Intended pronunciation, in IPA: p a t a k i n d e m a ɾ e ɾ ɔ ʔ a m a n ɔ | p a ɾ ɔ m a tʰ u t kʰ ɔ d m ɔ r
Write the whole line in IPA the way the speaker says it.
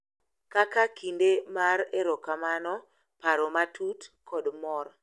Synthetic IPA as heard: k a k a k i n d e m a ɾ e ɾ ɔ k a m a n ɔ | p a ɾ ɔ m a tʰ u t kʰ ɔ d m ɔ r